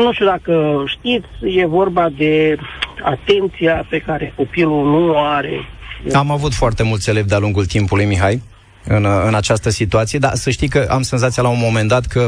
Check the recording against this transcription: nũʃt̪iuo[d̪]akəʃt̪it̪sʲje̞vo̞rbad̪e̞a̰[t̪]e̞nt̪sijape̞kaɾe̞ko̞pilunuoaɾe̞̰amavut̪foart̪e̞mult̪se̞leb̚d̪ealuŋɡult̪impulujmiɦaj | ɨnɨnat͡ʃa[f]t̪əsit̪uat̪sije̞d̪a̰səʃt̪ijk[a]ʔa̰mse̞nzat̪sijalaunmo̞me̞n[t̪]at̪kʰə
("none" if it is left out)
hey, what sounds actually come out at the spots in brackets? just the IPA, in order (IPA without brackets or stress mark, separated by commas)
d̪, t̪, s, ə, d̪